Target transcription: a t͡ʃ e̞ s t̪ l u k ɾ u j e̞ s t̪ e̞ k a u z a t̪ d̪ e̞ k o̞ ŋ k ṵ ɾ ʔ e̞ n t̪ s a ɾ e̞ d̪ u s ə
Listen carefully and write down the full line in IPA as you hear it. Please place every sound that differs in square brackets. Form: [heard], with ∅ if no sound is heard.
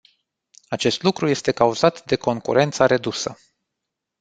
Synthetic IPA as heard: a t͡ʃ e̞ s t̪ l u k ɾ u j e̞ s t̪ e̞ k a u z a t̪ d̪ e̞ k o̞ ŋ k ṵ ɾ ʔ e̞ n t̪ s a ɾ e̞ d̪ u s ə